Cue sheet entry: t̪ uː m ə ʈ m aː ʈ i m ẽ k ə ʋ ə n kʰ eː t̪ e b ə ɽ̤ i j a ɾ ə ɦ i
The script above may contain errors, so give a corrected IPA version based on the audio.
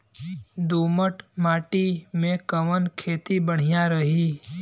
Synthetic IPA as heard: d̪ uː m ə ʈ m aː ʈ i m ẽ k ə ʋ ə n kʰ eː t̪ i b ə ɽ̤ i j a ɾ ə ɦ i